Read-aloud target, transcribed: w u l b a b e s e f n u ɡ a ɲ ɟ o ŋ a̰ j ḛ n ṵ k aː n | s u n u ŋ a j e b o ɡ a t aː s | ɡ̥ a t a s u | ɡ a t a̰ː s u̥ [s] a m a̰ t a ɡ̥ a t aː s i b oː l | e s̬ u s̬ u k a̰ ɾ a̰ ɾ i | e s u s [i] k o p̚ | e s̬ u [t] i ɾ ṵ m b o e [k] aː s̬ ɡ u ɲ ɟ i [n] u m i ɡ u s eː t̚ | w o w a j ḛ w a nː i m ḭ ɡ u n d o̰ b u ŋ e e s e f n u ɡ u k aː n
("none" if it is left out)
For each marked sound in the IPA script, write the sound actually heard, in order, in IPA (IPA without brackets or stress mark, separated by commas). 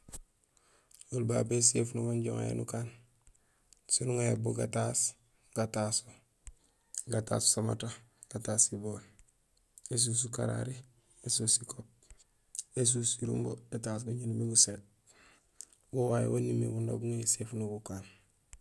s, i, s, t, n